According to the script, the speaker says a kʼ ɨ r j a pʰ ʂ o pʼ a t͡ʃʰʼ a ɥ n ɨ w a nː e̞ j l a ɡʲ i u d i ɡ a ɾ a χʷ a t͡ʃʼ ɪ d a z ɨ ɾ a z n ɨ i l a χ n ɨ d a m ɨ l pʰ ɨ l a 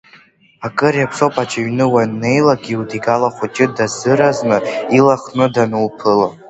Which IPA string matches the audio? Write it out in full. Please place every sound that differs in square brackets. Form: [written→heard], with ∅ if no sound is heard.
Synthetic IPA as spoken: a kʼ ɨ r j a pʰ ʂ o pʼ a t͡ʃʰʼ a ɥ n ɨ w a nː e̞ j l a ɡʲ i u d i ɡ a [ɾ→l] a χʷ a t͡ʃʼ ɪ d a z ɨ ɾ a z n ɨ i l a χ n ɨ d a [m→n] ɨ l pʰ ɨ l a